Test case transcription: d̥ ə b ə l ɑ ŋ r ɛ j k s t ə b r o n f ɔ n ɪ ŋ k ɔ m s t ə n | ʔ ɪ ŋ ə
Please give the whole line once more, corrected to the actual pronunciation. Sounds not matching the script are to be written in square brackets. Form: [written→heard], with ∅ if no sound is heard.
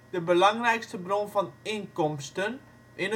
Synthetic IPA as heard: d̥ ə b ə l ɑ ŋ r ɛ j k s t ə b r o n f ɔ n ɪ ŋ k ɔ m s t ə n | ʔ ɪ [ŋ→n] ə